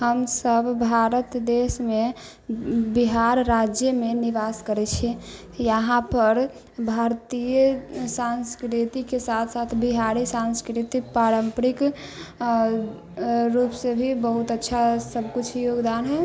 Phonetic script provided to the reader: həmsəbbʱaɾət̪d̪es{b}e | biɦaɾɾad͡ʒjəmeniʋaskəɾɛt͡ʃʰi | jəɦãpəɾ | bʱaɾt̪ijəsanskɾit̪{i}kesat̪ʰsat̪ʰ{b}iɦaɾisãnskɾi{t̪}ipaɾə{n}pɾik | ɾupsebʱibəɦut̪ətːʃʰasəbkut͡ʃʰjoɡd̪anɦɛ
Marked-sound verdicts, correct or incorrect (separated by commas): incorrect, correct, correct, correct, incorrect